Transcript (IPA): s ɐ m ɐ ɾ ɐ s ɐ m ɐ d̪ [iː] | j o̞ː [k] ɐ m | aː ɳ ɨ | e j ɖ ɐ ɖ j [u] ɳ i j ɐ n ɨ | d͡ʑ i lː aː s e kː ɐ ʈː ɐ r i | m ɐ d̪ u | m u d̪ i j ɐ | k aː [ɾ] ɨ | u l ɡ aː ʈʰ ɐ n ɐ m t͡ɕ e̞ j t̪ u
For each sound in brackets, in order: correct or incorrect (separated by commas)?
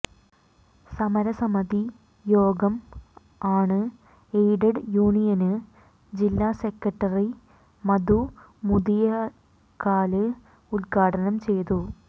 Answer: incorrect, incorrect, incorrect, incorrect